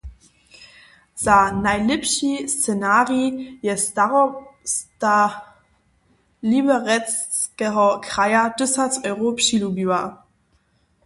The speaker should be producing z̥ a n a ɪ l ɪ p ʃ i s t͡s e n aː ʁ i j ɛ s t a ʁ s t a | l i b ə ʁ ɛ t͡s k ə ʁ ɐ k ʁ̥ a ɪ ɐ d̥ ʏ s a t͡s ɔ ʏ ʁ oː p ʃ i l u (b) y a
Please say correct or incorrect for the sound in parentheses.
correct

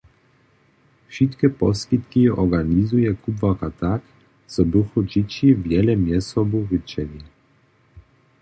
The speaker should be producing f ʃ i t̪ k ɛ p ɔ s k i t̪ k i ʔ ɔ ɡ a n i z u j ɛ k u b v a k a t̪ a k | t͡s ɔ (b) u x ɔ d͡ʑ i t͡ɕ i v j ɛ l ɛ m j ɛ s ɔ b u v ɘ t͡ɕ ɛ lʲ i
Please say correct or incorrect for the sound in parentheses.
correct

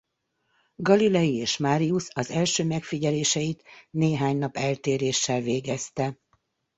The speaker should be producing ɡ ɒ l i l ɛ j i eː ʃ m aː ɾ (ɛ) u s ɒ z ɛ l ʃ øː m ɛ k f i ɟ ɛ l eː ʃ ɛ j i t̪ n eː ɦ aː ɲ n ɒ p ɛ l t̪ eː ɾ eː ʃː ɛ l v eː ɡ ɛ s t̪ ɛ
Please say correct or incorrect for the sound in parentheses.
incorrect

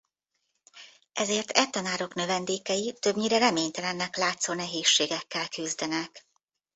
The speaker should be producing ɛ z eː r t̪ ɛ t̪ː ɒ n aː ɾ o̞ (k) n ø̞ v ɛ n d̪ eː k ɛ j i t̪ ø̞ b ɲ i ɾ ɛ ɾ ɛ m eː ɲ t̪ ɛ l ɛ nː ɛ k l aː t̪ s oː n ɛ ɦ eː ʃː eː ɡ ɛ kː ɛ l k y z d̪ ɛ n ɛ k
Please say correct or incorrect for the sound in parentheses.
correct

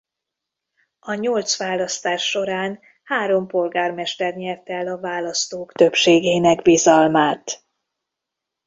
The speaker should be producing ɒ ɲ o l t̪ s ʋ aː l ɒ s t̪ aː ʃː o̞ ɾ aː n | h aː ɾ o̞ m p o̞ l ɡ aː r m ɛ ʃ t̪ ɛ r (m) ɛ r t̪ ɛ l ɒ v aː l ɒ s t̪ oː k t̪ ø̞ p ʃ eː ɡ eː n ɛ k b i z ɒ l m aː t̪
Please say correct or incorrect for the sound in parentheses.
incorrect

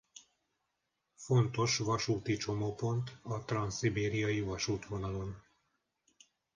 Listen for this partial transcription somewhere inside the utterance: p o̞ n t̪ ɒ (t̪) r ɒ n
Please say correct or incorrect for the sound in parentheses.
correct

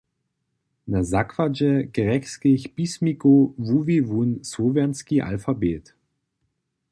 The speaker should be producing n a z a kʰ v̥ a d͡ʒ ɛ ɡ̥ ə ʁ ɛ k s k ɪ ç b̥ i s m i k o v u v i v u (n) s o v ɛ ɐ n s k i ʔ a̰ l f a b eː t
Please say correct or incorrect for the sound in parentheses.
correct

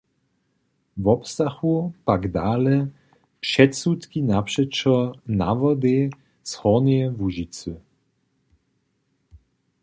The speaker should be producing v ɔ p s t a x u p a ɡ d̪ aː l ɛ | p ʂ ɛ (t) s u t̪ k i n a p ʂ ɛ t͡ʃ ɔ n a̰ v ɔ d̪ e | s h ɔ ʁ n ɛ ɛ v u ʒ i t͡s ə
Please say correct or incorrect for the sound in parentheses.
correct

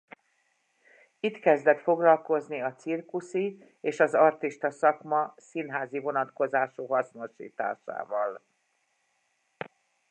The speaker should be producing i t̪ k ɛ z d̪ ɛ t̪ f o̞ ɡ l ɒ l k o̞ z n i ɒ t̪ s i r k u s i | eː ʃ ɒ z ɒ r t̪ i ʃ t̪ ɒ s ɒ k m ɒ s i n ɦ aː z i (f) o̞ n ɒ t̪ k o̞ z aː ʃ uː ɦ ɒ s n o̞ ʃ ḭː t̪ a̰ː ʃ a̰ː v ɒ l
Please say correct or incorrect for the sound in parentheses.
incorrect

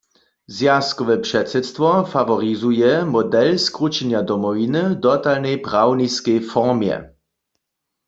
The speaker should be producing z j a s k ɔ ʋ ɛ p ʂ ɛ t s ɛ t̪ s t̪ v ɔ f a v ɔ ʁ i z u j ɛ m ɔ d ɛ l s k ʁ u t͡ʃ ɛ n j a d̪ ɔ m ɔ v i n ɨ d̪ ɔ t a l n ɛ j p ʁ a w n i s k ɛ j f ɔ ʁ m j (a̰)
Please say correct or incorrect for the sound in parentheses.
incorrect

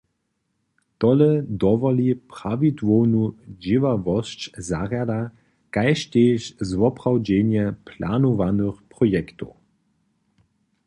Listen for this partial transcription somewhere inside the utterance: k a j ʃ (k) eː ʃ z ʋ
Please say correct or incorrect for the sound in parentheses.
incorrect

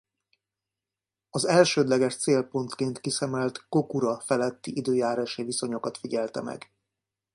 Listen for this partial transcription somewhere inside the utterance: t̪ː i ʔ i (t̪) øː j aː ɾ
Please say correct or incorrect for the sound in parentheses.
incorrect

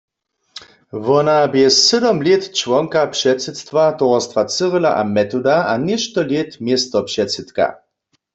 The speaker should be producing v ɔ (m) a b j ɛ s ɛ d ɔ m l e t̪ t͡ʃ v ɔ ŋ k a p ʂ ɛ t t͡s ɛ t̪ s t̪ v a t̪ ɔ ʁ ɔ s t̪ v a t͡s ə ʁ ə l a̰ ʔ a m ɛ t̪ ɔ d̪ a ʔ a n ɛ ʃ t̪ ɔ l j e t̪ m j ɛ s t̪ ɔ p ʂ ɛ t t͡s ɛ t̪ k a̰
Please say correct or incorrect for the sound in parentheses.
incorrect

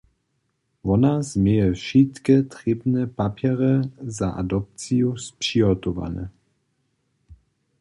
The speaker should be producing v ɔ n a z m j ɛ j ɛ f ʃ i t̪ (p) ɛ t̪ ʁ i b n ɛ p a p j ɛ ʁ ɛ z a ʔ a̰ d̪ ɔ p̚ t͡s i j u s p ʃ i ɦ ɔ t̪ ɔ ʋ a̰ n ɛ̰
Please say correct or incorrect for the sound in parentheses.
incorrect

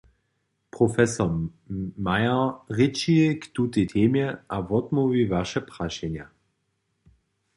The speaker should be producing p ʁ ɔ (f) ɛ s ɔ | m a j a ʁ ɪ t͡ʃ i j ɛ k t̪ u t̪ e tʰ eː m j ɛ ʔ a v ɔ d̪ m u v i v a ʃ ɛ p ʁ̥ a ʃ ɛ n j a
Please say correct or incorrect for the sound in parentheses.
correct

